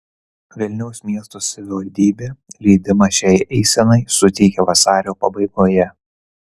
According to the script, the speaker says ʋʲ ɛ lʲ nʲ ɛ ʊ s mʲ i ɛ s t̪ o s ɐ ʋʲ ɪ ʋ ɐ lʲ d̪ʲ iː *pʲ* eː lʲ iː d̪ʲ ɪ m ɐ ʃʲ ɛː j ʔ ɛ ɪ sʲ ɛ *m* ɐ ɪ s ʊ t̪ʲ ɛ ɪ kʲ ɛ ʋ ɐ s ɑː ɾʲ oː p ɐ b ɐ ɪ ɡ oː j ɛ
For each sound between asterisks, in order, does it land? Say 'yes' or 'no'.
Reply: no, no

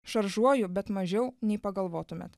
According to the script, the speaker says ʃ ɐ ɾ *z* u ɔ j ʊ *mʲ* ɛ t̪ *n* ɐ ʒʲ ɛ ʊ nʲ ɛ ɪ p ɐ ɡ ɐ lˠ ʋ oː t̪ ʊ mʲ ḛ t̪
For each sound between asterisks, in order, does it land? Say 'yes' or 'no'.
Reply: no, no, no

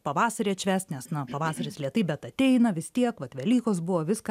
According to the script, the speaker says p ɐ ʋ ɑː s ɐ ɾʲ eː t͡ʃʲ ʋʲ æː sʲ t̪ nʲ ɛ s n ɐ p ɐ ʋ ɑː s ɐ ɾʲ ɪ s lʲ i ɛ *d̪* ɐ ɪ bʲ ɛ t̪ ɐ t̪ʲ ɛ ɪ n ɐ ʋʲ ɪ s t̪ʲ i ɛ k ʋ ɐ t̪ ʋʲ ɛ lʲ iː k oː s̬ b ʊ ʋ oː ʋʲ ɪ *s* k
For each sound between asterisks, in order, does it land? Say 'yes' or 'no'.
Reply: no, yes

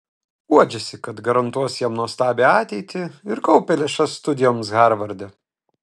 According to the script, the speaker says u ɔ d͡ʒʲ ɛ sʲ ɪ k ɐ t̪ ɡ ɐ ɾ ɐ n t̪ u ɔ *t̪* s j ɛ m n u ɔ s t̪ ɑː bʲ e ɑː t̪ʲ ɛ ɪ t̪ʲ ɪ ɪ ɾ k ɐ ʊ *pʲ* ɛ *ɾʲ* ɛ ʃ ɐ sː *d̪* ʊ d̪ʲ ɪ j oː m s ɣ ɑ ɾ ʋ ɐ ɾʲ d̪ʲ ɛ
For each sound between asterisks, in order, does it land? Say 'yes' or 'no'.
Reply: no, yes, no, no

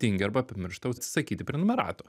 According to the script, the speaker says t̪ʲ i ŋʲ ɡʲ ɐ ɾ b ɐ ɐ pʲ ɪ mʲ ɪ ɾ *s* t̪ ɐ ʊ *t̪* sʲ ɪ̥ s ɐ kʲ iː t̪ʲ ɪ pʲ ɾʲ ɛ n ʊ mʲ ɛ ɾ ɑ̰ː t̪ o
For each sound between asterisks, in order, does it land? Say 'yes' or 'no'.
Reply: no, yes

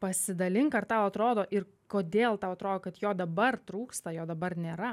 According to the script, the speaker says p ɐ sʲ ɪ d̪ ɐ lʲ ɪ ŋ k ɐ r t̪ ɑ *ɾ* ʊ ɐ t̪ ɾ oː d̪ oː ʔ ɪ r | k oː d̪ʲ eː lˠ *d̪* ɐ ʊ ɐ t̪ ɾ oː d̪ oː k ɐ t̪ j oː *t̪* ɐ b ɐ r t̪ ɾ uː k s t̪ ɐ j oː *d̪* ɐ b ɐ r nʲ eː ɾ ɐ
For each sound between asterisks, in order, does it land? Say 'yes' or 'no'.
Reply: no, no, no, yes

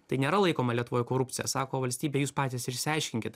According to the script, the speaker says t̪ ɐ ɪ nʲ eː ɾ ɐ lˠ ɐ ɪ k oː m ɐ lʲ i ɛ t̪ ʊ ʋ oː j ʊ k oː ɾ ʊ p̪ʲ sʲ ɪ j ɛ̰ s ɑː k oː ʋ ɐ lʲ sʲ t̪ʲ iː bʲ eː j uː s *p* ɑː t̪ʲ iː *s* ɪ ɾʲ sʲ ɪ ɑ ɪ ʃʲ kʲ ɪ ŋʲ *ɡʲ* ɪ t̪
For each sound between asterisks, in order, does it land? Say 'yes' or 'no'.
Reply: yes, yes, no

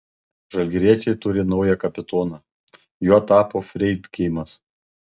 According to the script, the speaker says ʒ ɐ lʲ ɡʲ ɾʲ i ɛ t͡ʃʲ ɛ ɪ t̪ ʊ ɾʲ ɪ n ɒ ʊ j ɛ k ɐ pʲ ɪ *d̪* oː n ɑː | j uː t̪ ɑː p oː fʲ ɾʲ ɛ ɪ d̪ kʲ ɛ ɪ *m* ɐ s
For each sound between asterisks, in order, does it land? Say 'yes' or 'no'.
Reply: no, yes

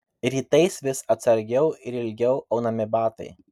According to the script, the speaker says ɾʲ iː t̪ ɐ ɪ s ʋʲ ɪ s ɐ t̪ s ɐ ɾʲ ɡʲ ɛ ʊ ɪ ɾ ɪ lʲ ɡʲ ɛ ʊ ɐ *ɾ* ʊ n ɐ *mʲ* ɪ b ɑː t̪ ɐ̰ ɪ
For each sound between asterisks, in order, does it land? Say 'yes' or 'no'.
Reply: no, yes

